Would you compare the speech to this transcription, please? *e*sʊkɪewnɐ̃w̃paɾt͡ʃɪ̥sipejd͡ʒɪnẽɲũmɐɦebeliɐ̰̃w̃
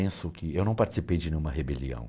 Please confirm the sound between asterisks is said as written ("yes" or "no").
no